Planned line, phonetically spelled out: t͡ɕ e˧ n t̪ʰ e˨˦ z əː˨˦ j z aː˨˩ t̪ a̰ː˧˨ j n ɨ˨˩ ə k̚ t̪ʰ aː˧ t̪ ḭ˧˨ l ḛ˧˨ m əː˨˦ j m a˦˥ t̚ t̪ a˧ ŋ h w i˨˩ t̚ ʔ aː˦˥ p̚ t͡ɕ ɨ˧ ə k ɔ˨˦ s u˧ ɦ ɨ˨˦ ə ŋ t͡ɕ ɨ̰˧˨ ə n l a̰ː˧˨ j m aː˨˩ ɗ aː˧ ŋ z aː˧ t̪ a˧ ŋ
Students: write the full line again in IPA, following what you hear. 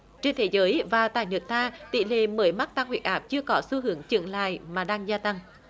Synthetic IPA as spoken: t͡ɕ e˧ n t̪ʰ e˨˦ z əː˨˦ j v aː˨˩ t̪ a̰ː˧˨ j n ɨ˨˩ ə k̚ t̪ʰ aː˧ t̪ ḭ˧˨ l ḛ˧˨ m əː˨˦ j m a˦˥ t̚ t̪ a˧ ŋ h w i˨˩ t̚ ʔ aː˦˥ p̚ t͡ɕ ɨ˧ ə k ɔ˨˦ s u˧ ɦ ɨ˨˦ ə ŋ t͡ɕ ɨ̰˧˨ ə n l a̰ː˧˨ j m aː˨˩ ɗ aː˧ ŋ z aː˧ t̪ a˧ ŋ